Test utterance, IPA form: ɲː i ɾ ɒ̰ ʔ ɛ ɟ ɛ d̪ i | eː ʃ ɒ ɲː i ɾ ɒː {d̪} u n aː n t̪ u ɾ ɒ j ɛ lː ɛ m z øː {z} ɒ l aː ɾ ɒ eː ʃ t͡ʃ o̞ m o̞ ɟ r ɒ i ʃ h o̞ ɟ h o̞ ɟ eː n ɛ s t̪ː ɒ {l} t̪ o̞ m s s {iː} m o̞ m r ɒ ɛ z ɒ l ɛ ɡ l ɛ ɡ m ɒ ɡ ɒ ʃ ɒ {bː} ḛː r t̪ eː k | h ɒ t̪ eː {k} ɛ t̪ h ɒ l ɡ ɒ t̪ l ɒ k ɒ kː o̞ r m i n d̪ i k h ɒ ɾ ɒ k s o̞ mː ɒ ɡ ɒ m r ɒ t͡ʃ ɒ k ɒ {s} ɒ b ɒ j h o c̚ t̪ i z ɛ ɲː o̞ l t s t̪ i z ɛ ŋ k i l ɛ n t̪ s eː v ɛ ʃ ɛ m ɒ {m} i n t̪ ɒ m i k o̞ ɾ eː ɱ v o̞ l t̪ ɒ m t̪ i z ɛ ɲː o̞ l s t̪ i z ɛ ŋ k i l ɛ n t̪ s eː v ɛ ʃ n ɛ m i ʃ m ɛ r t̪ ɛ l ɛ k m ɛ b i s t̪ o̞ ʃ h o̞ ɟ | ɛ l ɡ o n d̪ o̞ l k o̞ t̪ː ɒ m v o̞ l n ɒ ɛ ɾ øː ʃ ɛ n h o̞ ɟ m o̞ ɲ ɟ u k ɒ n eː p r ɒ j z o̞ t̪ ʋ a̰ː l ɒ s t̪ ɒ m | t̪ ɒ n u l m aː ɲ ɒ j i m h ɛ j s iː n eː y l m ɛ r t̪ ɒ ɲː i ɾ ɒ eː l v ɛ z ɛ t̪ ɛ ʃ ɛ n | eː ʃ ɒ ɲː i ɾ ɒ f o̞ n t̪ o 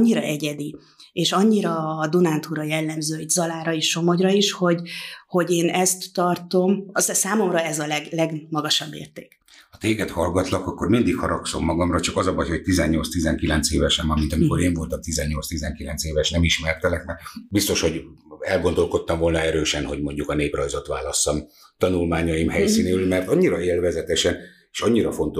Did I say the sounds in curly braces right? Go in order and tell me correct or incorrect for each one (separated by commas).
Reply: correct, correct, incorrect, incorrect, correct, incorrect, incorrect, correct